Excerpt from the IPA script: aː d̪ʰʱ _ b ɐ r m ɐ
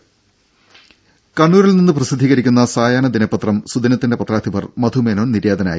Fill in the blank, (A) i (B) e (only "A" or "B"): A